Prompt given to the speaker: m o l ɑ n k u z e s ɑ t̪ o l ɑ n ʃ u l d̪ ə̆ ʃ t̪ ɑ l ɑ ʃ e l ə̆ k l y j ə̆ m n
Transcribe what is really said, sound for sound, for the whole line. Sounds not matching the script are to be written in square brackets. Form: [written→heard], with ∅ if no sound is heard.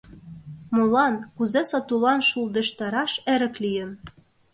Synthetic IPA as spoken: m o l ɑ n k u z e s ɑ t̪ [o→u] l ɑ n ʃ u l d̪ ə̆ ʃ t̪ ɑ [l→ɾ] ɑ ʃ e [l→ɾ] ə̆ k l [y→i] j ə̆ [m→∅] n